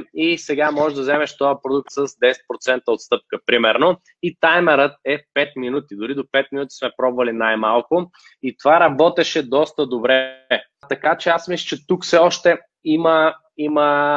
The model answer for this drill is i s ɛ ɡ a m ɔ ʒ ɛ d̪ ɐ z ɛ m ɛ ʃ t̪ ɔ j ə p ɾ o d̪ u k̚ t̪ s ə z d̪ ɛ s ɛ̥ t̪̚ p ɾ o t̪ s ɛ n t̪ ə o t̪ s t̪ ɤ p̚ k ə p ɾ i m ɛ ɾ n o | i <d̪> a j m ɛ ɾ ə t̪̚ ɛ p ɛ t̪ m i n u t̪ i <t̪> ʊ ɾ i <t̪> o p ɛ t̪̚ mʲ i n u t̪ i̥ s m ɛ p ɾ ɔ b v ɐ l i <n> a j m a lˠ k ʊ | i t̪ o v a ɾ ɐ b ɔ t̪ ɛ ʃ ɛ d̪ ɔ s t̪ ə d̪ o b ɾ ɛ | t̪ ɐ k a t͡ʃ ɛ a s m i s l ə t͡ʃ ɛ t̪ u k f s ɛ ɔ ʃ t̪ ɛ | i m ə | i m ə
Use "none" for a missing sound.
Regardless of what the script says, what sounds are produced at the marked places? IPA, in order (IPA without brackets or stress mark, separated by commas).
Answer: t̪, d̪, d̪, n